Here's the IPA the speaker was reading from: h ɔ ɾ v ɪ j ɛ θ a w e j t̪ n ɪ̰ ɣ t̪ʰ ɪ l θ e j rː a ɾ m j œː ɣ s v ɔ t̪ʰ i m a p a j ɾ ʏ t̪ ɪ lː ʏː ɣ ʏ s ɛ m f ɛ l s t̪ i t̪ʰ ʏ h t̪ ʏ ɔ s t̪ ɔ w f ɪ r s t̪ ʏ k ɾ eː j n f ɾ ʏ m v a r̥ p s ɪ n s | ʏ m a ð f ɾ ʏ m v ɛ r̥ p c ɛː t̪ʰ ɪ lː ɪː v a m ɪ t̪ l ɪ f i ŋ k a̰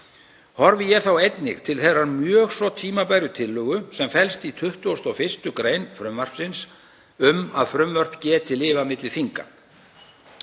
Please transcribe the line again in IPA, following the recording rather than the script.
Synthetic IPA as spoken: h ɔ ɾ v ɪ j ɛ θ a w e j t̪ n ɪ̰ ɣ t̪ʰ ɪ l θ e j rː a ɾ m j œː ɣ s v ɔ t̪ʰ iː m a p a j ɾ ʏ t̪ʰ ɪ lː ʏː ɣ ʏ s ɛ m f ɛ l s t̪ i t̪ʰ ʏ h t̪ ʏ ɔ s t̪ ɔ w f ɪ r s t̪ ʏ k ɾ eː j n f ɾ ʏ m v a r̥ p s ɪ n s | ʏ m a ð f ɾ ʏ m v œ r̥ p c ɛː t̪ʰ ɪ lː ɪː v a m ɪ t̪ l ɪ f i ŋ k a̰